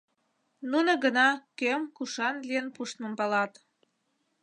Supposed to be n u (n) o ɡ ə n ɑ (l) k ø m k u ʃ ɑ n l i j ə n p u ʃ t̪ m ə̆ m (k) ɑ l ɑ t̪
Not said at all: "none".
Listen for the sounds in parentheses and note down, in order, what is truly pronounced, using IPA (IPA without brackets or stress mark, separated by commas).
n, none, p